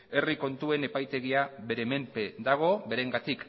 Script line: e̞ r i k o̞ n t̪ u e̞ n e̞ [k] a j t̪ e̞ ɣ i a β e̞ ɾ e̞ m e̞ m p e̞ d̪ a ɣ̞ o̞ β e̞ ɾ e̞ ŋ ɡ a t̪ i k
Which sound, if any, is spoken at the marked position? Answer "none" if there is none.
p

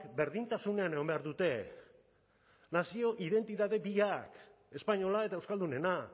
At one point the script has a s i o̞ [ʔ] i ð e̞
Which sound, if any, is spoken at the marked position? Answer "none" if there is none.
ʔ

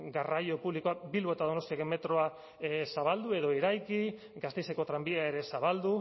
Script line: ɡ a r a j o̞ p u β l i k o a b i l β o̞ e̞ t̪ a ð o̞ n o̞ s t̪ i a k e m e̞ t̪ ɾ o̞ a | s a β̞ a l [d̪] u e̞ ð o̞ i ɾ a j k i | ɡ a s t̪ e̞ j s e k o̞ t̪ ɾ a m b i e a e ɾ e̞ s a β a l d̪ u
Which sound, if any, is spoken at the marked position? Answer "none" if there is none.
d̪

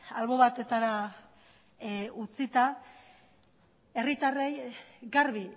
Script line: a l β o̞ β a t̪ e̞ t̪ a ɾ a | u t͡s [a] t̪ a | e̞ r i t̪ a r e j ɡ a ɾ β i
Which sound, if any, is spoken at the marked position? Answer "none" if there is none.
i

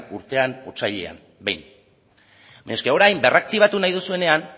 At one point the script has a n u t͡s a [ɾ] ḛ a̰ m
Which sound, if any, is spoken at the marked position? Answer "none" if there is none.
ʎ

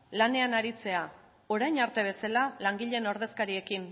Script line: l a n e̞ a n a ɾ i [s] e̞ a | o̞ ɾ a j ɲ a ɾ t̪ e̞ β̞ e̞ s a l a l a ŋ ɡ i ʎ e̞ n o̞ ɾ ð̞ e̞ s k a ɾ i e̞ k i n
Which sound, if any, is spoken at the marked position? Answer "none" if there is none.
t͡s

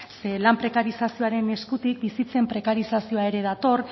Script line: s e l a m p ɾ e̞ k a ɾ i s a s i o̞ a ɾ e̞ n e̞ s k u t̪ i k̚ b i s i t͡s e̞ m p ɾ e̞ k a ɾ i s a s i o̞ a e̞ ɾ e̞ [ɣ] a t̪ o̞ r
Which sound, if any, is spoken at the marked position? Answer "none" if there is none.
ð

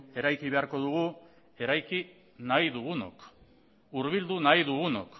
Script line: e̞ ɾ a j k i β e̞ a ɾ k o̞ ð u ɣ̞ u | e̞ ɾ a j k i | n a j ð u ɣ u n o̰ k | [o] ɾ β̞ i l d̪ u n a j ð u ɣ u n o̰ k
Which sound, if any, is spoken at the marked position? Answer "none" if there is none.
u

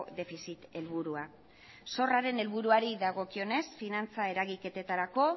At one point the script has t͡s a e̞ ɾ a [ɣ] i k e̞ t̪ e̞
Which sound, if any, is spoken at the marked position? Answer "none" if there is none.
ɣ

